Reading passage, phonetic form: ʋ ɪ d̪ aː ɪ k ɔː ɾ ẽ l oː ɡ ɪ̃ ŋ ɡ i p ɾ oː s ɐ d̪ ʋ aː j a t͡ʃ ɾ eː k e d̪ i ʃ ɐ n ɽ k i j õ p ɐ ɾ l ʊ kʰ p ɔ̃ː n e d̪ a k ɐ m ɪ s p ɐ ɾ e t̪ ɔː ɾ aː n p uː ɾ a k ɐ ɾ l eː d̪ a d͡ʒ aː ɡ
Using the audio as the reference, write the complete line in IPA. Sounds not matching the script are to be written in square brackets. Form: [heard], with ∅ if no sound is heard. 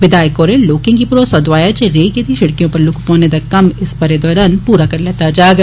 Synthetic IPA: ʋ ɪ d̪ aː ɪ k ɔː ɾ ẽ l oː [k] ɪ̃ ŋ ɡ i p ɾ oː s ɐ d̪ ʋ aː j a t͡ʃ ɾ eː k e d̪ i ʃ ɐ [∅] ɽ k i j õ p ɐ ɾ l ʊ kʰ p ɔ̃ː n e d̪ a k ɐ m ɪ s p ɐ ɾ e [d̪] ɔː ɾ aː n p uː ɾ a k ɐ ɾ l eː [t̪] a d͡ʒ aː ɡ